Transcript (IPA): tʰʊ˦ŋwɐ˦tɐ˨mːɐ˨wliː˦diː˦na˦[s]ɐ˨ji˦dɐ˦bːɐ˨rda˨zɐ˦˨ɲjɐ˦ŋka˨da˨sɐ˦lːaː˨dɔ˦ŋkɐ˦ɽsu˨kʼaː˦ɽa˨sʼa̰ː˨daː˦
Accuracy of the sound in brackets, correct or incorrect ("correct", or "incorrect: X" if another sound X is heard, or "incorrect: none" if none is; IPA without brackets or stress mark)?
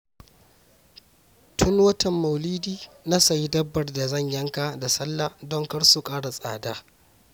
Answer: correct